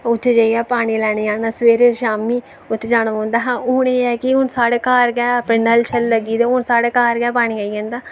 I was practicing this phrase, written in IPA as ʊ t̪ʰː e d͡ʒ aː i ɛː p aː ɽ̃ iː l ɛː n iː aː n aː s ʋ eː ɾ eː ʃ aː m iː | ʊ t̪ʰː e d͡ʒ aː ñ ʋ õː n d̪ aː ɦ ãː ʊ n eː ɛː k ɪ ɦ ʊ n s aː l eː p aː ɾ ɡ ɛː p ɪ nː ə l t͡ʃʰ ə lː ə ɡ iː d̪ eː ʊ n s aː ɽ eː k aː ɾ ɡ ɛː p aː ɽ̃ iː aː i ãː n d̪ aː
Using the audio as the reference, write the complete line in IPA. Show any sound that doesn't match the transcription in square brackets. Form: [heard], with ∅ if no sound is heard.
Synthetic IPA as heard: ʊ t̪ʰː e d͡ʒ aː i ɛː p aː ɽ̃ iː l ɛː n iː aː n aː s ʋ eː ɾ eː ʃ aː m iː | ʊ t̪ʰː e d͡ʒ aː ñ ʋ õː n d̪ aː ɦ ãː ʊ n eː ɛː k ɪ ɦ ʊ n s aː [ɽ] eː [k] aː ɾ ɡ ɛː p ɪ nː ə l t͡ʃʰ ə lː ə ɡ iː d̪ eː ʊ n s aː ɽ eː k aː ɾ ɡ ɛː p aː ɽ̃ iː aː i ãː n d̪ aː